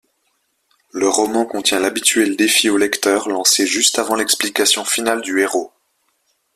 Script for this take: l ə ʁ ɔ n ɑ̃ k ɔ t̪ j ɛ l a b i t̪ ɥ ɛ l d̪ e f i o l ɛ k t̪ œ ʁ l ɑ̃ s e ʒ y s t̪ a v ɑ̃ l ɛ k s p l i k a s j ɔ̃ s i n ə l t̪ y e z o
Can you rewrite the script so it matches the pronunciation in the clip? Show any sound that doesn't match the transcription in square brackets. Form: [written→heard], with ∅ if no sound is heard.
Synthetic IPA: l ə ʁ ɔ [n→m] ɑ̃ k [ɔ→ɔ̃] t̪ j [ɛ→ɛ̃] l a b i t̪ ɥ ɛ l d̪ e f i o l ɛ k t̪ œ ʁ l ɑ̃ s e ʒ y s t̪ a v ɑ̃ l ɛ k s p l i k a s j ɔ̃ [s→f] i n [ə→a] l [t̪→d̪] y e [z→ʁ] o